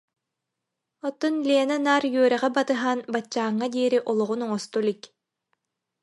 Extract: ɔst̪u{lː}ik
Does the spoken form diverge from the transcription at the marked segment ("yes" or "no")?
yes